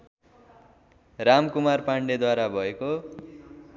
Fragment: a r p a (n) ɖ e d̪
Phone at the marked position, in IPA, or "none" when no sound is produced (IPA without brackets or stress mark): ɳ